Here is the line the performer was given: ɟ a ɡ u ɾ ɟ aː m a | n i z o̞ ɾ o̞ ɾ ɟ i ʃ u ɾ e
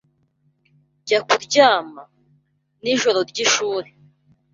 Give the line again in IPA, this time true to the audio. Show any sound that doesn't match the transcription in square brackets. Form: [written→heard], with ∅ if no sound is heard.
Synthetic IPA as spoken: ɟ a [ɡ→k] u ɾ ɟ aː m a | n i [z→ʒ] o̞ ɾ o̞ ɾ ɟ i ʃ [u→uː] ɾ e